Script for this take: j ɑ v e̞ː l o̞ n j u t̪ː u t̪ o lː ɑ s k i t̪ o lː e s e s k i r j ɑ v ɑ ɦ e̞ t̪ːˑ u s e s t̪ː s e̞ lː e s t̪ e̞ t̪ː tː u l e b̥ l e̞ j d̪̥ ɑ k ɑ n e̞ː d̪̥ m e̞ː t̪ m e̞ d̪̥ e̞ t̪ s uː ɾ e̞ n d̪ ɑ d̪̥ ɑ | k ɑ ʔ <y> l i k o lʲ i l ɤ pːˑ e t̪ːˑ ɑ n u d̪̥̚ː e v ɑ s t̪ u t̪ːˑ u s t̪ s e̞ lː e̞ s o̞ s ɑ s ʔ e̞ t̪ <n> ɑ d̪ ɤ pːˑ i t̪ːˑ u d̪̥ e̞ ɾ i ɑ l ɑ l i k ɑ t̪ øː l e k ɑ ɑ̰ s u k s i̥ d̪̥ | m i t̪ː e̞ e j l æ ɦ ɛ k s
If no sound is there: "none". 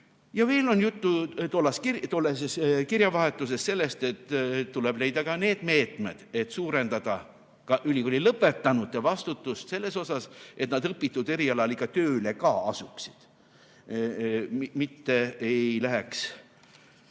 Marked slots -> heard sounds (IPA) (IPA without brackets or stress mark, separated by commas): y, n